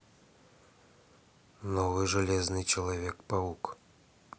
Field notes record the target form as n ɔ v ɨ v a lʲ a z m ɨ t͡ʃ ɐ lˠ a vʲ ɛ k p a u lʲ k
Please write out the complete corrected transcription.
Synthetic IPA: n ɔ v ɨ ʐ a lʲ ɛ z n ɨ t͡ʃ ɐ lˠ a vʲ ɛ k p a u k